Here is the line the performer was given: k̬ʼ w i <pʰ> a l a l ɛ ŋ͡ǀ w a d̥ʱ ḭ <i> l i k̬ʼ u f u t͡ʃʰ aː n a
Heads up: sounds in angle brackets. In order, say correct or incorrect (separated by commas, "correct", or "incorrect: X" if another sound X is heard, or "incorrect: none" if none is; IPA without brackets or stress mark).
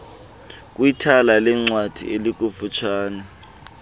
incorrect: tʰ, incorrect: e